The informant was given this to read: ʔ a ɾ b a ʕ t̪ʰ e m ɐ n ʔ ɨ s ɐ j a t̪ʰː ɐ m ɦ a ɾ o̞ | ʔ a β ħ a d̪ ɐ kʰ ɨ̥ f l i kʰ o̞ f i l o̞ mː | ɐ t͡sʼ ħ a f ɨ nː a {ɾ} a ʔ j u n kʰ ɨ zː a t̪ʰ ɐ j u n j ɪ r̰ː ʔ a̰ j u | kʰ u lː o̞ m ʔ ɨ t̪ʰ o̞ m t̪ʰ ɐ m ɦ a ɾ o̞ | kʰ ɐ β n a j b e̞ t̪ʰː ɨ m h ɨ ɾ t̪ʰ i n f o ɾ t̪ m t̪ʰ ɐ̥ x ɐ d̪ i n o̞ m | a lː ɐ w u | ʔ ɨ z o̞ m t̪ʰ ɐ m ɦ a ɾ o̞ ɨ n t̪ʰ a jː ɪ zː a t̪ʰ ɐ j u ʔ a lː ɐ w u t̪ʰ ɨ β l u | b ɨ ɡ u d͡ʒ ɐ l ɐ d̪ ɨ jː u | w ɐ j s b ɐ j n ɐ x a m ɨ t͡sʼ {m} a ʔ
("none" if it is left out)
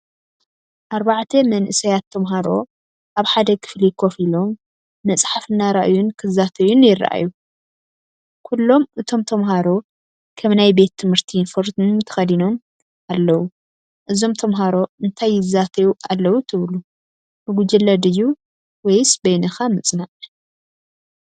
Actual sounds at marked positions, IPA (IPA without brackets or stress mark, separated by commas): ɾ, n